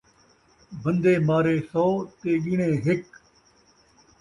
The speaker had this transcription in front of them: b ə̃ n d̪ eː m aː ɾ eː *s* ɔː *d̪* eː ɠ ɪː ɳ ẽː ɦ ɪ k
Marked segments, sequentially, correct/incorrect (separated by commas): correct, incorrect